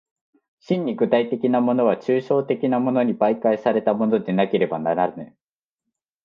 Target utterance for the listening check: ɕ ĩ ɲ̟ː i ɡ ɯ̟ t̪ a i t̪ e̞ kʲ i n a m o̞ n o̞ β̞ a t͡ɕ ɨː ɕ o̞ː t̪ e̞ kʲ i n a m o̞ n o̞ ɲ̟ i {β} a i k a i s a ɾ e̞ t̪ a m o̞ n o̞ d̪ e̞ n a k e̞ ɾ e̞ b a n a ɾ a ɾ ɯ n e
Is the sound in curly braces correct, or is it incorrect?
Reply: incorrect